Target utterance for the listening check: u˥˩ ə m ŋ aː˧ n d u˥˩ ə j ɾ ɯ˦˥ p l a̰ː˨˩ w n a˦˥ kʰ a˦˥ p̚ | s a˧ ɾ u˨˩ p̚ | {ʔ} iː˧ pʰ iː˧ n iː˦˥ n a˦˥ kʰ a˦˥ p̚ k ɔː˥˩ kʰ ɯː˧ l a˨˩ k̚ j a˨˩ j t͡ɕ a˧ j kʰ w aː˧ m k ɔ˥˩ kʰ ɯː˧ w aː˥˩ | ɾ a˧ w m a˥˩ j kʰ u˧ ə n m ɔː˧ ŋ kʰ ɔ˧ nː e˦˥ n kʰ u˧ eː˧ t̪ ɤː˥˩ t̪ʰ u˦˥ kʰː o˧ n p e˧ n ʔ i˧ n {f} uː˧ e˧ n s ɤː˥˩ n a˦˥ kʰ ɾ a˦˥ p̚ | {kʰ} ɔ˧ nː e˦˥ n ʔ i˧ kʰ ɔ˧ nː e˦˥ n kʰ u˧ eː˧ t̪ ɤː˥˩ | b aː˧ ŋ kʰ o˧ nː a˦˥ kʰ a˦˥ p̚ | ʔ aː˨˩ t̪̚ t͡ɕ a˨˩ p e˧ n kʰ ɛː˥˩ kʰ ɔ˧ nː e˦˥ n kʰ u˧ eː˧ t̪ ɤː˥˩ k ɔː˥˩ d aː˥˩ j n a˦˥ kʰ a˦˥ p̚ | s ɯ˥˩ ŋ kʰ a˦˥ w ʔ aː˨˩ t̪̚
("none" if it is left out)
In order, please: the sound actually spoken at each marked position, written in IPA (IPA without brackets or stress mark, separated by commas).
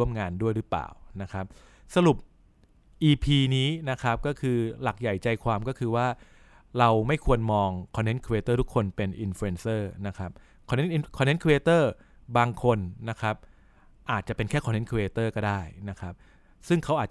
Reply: ʔ, f, kʰ